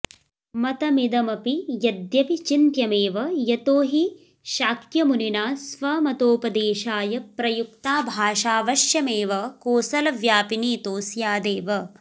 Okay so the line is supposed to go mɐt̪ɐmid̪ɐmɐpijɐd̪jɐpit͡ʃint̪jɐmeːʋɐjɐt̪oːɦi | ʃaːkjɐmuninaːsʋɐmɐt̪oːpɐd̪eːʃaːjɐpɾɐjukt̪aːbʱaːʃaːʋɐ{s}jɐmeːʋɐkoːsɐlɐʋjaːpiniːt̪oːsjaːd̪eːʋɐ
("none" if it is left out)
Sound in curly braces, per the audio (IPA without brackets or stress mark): ʃ